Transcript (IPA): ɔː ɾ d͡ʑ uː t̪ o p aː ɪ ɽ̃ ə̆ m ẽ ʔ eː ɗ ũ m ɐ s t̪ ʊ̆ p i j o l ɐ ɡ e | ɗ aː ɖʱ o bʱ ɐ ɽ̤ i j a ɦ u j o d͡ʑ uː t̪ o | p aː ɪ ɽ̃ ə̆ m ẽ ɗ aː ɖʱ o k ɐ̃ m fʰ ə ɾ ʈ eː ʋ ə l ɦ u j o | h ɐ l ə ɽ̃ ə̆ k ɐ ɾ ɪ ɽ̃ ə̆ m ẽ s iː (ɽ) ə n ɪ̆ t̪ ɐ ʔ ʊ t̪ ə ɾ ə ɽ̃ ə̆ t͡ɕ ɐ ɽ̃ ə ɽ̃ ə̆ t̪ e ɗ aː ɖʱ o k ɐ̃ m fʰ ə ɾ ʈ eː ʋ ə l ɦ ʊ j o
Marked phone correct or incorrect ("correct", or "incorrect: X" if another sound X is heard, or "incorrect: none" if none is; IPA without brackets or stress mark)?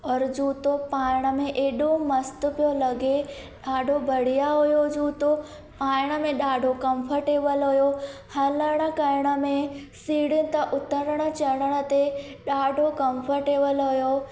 correct